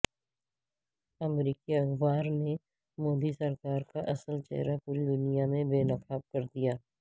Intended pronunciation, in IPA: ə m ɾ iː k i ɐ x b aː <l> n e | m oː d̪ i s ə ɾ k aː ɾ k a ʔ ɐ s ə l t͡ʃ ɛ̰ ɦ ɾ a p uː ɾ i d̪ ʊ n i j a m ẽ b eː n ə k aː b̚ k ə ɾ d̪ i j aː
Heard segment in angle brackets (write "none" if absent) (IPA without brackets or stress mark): ɾ